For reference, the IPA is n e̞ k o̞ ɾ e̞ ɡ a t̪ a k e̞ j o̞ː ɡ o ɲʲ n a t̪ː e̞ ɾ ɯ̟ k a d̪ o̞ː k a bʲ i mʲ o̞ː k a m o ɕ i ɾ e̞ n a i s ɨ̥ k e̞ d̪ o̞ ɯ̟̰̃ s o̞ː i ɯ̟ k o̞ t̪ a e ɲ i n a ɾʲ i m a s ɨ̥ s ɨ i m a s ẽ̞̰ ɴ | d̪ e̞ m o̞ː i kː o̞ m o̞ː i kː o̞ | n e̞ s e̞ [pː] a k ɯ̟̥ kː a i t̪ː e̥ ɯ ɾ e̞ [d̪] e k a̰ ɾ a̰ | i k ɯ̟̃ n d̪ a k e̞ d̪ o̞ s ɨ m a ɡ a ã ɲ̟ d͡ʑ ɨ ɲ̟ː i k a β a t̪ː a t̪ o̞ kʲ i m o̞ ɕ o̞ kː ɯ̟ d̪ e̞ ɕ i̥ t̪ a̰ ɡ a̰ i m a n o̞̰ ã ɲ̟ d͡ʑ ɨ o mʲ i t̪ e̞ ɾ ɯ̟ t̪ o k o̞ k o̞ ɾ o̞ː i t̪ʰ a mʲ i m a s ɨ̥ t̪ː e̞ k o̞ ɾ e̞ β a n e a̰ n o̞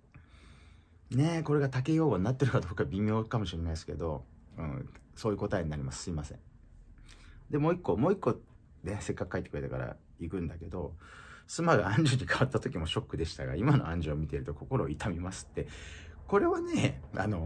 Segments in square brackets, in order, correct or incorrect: incorrect: kː, incorrect: t̪

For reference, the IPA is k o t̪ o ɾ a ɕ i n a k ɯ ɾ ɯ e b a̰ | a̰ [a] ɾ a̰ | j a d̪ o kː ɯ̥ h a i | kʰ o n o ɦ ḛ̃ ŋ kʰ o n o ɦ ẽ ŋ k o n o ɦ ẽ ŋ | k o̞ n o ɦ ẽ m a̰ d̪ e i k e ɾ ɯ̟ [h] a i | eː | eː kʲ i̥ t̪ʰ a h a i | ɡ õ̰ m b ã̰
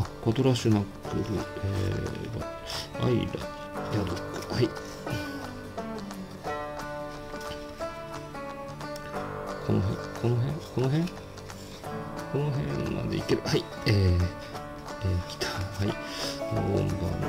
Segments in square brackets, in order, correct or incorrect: incorrect: i, correct

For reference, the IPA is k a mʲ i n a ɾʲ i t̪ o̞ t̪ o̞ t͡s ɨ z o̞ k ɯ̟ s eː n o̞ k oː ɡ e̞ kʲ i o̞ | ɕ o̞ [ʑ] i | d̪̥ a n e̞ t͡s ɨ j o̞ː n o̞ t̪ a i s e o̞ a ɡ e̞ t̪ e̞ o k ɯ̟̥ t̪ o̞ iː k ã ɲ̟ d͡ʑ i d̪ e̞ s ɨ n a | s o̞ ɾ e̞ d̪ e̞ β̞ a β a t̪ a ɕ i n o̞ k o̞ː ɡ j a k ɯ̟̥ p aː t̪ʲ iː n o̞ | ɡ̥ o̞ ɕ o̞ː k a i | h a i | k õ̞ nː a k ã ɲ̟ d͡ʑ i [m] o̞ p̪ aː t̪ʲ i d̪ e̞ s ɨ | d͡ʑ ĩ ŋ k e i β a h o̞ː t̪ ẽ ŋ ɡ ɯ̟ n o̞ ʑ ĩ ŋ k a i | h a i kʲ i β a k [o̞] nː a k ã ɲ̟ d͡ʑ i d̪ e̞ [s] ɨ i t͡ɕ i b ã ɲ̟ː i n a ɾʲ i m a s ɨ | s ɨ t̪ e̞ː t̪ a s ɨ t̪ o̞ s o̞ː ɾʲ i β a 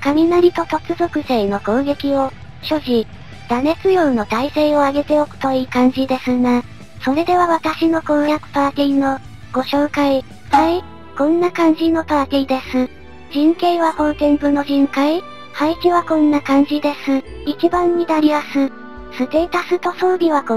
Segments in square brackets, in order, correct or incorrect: correct, incorrect: n, incorrect: õ̞, correct

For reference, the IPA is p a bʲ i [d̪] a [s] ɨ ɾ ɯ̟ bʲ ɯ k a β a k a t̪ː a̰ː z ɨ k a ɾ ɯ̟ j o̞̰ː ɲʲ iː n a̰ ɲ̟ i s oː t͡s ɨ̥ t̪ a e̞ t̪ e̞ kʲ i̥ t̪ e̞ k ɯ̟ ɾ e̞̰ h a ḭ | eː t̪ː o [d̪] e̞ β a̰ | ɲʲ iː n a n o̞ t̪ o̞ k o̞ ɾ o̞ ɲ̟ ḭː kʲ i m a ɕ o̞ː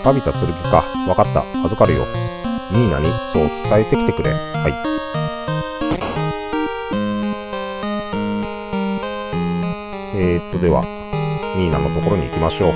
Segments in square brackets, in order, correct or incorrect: incorrect: t̪, incorrect: t͡s, correct

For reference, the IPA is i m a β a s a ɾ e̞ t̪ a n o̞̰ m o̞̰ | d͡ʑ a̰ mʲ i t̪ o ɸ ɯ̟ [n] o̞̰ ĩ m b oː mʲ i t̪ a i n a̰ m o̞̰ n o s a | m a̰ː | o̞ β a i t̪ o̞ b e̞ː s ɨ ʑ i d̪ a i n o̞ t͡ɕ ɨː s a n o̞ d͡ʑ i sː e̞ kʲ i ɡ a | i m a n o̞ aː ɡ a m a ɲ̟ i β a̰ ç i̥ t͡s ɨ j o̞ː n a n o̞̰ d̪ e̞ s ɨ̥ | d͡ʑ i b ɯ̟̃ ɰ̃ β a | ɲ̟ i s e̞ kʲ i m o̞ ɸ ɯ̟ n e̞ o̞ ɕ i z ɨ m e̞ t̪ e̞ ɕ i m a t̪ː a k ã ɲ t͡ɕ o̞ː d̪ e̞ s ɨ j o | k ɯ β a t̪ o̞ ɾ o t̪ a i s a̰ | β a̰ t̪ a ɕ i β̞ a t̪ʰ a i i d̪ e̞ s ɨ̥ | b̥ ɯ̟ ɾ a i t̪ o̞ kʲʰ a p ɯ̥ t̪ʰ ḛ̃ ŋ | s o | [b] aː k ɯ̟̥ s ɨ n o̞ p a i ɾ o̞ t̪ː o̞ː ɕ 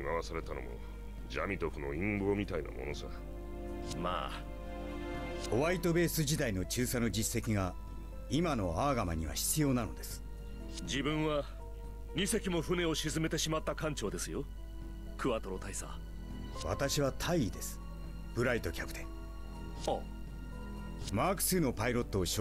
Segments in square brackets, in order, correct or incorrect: correct, incorrect: m

